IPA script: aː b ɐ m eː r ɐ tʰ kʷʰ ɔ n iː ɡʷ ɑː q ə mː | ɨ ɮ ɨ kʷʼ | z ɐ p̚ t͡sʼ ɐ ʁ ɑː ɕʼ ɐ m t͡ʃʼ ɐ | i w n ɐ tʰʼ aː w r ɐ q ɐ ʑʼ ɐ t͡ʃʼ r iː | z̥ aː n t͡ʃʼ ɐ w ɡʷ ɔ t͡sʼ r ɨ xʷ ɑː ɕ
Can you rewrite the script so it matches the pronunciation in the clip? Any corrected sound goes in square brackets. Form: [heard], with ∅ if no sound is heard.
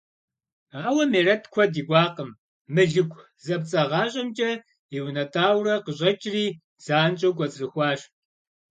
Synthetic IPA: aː [w] ɐ m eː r ɐ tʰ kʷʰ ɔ [d] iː ɡʷ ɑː q ə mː | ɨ ɮ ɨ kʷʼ | z ɐ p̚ t͡sʼ ɐ ʁ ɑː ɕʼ ɐ m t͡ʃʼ ɐ | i w n ɐ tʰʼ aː w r ɐ q [ə] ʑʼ ɐ t͡ʃʼ r iː | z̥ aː n t͡ʃʼ ɐ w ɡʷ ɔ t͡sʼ r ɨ xʷ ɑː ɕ